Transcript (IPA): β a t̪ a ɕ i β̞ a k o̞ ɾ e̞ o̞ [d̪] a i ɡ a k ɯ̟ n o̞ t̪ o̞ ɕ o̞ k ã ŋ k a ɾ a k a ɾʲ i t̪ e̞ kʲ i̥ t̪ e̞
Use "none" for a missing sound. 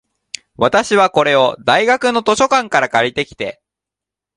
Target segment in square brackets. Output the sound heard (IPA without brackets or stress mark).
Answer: d̪